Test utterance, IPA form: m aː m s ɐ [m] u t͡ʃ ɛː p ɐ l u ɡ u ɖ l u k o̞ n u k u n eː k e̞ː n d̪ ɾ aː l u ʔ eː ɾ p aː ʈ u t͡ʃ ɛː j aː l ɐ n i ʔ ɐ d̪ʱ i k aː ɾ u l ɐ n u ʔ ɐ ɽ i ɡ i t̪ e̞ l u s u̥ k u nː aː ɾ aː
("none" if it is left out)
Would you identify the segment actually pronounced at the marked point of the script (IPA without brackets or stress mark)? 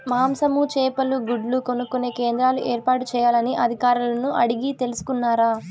m